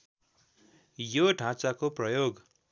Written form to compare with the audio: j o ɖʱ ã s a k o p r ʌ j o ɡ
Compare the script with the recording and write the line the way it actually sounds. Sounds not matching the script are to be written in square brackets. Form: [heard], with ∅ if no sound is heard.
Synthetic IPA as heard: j o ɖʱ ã [t͡s] a k o p r ʌ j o ɡ